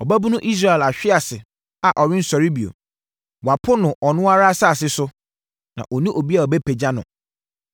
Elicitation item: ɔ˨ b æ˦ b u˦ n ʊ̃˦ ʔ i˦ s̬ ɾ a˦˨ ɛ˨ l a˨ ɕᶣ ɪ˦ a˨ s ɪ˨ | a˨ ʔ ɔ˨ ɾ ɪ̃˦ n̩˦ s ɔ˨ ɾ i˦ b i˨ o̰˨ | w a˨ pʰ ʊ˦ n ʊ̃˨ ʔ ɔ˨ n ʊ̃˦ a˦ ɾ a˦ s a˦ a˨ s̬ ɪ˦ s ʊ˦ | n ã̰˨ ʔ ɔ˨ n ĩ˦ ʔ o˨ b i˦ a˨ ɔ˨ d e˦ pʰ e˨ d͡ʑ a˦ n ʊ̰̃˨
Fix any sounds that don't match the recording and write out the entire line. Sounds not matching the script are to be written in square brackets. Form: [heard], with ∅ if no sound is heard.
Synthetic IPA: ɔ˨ b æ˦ b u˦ n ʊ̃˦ ʔ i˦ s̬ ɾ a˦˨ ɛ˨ l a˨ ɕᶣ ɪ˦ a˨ s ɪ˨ | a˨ ʔ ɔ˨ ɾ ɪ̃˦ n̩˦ s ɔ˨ ɾ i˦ b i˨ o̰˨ | w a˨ pʰ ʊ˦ n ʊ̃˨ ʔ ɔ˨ n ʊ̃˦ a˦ ɾ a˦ s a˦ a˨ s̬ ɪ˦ s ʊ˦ | n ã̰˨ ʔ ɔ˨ n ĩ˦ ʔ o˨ b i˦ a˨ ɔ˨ [b] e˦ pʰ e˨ d͡ʑ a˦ n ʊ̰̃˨